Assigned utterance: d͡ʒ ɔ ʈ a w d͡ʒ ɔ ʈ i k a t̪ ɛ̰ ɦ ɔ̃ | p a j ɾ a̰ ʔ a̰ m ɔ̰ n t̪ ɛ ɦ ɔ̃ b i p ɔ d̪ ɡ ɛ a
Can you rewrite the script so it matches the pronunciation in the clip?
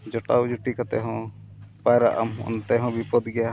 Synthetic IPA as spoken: d͡ʒ ɔ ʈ a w d͡ʒ u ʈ i k a t̪ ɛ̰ ɦ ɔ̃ | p a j ɾ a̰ ʔ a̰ m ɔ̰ n t̪ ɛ ɦ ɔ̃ b i p ɔ d̪ ɡ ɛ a